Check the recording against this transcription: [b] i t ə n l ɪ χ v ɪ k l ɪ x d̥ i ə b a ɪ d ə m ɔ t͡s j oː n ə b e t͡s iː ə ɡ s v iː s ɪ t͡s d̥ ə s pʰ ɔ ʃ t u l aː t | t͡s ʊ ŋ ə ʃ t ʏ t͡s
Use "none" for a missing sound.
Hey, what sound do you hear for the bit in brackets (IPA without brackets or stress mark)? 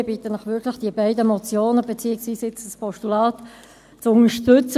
b